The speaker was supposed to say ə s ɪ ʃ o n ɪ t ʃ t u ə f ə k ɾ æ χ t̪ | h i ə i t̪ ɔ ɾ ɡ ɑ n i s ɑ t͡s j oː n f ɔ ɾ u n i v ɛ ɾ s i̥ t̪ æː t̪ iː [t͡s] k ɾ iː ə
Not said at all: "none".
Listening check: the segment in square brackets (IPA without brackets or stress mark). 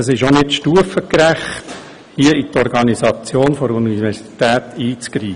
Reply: t͡s